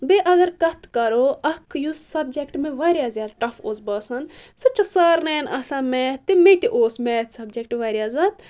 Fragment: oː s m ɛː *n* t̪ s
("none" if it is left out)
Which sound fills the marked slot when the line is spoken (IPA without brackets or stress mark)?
none